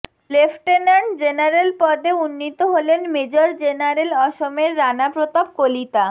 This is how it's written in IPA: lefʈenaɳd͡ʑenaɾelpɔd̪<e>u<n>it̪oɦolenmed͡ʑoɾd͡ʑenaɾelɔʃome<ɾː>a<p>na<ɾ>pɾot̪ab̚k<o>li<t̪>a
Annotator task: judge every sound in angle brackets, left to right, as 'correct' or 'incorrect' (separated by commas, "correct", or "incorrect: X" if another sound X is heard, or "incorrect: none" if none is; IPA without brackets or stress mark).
correct, incorrect: nː, correct, incorrect: none, incorrect: none, correct, correct